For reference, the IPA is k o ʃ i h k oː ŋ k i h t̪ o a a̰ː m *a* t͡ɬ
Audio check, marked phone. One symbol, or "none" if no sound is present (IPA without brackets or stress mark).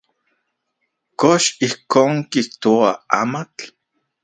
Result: a